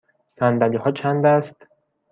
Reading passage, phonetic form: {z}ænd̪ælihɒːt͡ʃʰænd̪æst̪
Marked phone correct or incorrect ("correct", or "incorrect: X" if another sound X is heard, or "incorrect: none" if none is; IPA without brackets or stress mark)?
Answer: incorrect: s